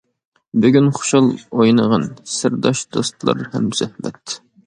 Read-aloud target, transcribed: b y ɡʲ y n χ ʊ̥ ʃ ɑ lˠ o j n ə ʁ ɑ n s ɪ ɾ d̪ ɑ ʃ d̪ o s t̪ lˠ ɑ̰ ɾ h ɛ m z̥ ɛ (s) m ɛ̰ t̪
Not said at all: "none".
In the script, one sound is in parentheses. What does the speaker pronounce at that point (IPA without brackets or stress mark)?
h